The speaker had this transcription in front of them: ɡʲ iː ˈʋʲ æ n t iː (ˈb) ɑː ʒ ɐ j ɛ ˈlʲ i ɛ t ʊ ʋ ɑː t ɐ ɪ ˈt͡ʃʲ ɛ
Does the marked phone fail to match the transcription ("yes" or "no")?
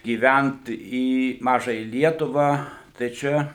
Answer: yes